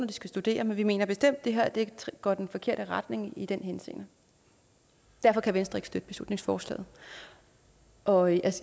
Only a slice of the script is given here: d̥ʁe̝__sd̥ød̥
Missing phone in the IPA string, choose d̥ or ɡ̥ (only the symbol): ɡ̥